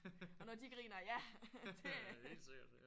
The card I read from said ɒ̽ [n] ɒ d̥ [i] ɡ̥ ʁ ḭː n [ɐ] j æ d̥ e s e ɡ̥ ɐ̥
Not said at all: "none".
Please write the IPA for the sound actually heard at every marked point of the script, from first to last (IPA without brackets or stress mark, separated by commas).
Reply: n, i, ɐ